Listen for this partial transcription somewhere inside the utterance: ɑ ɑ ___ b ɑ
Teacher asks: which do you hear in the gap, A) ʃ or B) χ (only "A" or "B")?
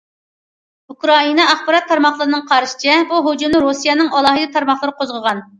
B